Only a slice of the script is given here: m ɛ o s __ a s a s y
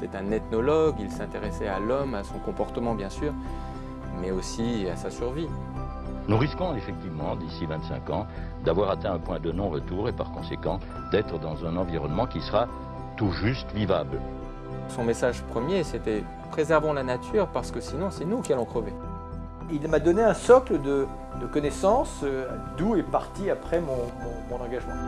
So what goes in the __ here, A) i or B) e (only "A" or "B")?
A